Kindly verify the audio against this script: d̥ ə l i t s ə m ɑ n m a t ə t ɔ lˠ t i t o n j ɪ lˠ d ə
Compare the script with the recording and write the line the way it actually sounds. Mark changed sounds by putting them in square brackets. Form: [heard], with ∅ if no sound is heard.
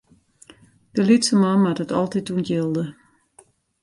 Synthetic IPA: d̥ ə l i t s ə m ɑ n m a t ə t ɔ lˠ t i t [u] n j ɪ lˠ d ə